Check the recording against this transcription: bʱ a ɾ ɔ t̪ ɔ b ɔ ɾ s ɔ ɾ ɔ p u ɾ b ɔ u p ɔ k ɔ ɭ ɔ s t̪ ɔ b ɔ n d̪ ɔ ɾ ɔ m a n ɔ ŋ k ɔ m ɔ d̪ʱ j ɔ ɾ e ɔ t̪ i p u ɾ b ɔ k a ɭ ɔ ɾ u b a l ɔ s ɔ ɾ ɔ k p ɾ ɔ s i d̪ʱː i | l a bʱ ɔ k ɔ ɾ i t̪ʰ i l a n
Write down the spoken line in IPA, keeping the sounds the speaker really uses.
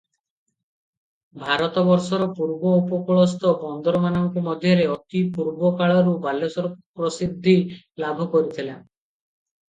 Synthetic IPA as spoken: bʱ a ɾ ɔ t̪ ɔ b ɔ ɾ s ɔ ɾ ɔ p u ɾ b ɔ u p ɔ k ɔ ɭ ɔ s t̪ ɔ b ɔ n d̪ ɔ ɾ ɔ m a n ɔ ŋ k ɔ m ɔ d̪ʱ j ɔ ɾ e ɔ t̪ i p u ɾ b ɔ k a ɭ ɔ ɾ u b a l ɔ s ɔ ɾ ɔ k p ɾ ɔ s i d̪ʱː i | l a bʱ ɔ k ɔ ɾ i t̪ʰ i l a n